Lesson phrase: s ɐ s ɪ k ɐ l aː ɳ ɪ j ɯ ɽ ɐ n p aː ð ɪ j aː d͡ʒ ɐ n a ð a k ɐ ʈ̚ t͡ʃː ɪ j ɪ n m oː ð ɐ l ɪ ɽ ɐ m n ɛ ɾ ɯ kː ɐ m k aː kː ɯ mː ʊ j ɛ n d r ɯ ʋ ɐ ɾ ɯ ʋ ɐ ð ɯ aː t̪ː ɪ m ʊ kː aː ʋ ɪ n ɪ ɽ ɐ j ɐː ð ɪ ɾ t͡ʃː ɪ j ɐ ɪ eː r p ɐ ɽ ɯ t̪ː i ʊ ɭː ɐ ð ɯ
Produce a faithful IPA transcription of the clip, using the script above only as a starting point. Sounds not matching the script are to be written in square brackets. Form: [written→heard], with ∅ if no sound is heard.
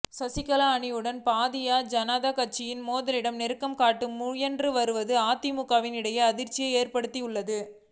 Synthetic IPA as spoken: s ɐ s ɪ k ɐ l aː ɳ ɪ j ɯ ɽ ɐ n p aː ð ɪ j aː d͡ʒ ɐ n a ð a k ɐ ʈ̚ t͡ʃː ɪ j ɪ n m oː ð ɐ l ɪ ɽ ɐ m n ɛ ɾ ɯ kː ɐ m k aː [kː→ʈː] ɯ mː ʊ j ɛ n d r ɯ ʋ ɐ ɾ ɯ ʋ ɐ ð ɯ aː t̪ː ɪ m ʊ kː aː ʋ ɪ n ɪ ɽ ɐ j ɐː ð ɪ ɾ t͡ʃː ɪ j ɐ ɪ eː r p ɐ ɽ ɯ t̪ː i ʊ ɭː ɐ ð ɯ